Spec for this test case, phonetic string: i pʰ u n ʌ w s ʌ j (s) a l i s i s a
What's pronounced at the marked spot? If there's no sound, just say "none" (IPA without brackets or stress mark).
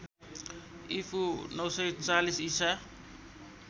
t͡s